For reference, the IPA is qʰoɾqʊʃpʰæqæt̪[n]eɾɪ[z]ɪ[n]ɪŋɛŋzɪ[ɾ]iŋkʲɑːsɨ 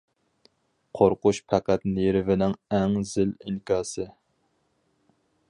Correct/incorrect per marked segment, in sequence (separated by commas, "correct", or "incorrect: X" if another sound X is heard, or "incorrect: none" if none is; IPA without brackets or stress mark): correct, incorrect: v, correct, incorrect: l